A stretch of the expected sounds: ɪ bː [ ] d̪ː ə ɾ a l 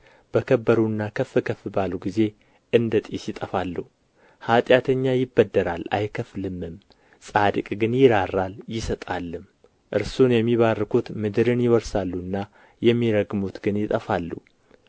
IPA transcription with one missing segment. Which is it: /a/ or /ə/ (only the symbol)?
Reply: ə